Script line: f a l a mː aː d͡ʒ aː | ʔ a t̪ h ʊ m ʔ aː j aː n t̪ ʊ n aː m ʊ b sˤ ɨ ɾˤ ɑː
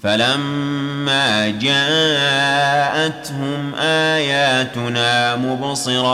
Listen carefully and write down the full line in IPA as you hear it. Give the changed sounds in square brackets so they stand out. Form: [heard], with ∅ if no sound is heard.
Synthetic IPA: f a l a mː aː d͡ʒ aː | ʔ a t̪ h ʊ m ʔ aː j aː [∅] t̪ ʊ n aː m ʊ b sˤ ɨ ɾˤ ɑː